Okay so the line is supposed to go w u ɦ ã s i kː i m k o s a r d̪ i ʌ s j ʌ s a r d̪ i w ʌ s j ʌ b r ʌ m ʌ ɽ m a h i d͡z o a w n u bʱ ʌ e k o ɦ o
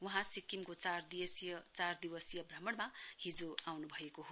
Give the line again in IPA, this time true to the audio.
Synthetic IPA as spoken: w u ɦ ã s i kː i m k o t͡s a r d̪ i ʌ s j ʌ t͡s a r d̪ i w ʌ s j ʌ b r ʌ m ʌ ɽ m a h i d͡z o a w n u bʱ ʌ e k o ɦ o